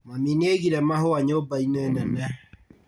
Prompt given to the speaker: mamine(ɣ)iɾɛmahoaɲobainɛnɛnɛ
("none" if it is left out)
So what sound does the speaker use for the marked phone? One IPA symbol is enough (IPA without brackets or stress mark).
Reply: ɣ